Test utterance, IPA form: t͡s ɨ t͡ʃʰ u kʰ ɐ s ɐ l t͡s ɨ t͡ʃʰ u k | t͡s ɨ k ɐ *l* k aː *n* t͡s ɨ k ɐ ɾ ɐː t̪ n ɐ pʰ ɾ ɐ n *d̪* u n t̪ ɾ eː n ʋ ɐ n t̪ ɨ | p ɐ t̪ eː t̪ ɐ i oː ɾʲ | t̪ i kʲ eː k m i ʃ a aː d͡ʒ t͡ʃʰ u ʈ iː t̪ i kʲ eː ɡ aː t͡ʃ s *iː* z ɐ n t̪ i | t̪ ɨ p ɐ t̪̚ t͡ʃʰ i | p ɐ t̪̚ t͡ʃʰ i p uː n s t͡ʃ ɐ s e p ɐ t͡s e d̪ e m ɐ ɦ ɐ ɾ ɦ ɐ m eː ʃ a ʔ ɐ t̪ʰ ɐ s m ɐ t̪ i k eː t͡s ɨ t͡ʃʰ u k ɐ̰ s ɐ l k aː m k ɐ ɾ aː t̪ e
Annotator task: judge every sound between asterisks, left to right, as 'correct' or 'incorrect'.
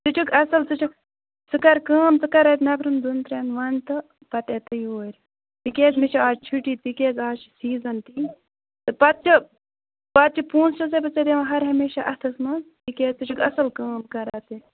incorrect, incorrect, correct, correct

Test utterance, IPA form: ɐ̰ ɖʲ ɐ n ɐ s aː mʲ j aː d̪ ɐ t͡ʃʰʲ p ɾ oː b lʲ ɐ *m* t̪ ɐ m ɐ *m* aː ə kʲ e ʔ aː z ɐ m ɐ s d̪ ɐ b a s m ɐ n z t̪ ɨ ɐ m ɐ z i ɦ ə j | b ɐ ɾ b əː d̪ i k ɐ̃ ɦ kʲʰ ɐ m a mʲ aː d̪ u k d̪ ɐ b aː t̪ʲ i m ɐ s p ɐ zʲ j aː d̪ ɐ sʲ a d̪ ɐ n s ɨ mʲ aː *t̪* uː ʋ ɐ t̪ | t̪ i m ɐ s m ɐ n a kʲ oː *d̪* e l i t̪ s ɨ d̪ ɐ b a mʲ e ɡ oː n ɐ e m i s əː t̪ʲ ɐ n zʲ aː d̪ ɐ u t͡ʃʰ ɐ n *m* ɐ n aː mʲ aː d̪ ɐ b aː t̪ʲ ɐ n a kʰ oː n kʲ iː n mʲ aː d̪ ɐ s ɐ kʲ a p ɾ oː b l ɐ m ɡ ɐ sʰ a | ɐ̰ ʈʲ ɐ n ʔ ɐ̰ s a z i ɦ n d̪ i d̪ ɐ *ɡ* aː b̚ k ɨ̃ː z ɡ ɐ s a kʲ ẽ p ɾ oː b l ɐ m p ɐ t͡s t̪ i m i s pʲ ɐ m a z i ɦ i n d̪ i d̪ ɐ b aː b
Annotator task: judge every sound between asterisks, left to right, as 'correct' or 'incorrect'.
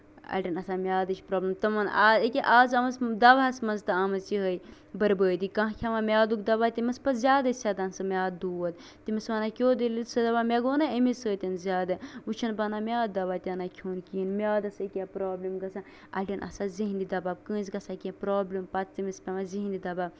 correct, incorrect, incorrect, correct, incorrect, incorrect

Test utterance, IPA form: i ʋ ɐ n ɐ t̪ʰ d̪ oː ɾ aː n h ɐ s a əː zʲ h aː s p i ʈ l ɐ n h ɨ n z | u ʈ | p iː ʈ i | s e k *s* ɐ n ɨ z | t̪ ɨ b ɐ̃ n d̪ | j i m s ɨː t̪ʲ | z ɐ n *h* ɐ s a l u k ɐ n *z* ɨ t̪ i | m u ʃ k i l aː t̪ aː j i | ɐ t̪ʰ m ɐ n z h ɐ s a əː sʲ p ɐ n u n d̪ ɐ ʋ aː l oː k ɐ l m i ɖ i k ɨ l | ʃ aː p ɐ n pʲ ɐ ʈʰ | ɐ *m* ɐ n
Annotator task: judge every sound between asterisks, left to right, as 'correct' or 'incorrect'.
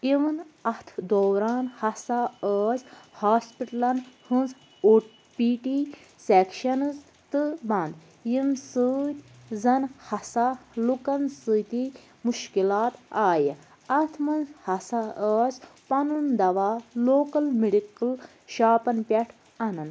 incorrect, correct, incorrect, incorrect

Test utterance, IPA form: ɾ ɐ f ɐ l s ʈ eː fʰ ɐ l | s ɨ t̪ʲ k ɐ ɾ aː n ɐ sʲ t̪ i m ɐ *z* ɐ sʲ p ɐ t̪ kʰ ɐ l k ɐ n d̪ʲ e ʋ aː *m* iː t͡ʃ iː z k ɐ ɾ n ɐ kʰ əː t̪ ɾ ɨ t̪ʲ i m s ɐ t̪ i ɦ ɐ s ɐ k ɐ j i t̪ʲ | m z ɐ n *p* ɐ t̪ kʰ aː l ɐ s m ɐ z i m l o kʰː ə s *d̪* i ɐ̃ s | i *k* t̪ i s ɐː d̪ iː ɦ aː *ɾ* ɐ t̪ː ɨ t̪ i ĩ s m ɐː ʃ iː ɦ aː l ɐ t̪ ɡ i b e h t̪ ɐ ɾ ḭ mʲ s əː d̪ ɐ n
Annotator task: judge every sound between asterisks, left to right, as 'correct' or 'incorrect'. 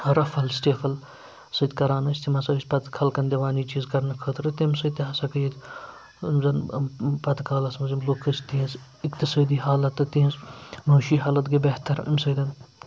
incorrect, incorrect, correct, incorrect, correct, incorrect

